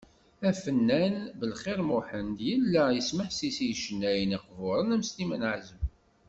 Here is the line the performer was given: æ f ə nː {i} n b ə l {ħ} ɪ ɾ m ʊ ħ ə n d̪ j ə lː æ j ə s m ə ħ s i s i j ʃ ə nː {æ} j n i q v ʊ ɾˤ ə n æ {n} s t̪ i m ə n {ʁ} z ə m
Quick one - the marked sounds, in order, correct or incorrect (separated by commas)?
incorrect, incorrect, correct, incorrect, incorrect